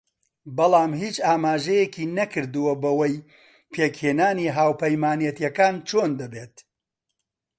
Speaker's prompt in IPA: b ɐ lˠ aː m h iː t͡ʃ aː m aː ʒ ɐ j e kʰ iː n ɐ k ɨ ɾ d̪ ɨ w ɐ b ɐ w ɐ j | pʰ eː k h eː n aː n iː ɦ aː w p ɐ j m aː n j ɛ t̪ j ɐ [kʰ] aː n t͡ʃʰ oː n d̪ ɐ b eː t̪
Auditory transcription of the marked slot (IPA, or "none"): k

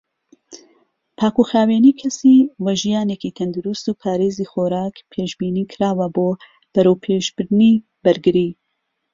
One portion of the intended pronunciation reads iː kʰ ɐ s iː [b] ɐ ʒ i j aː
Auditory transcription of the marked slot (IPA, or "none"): w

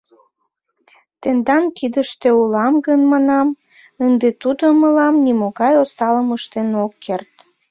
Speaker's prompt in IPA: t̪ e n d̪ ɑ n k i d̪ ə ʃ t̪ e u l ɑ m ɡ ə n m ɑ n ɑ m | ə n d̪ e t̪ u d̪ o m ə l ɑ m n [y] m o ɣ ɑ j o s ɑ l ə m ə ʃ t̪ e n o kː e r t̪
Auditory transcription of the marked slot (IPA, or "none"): i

